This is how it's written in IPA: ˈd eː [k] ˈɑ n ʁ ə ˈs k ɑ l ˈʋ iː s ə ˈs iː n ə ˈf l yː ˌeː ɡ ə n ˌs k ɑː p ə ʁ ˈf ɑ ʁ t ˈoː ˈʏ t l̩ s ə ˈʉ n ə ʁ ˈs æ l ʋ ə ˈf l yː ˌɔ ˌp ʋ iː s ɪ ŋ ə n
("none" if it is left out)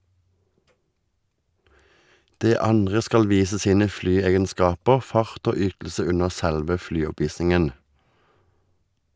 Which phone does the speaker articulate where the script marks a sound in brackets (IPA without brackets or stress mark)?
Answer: none